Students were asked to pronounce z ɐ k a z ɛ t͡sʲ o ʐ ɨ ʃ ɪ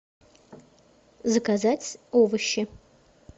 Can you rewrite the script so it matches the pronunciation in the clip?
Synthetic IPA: z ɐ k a z a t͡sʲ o v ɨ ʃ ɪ